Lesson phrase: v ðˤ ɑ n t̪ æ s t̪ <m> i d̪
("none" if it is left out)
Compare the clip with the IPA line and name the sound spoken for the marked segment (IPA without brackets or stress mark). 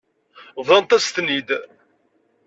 n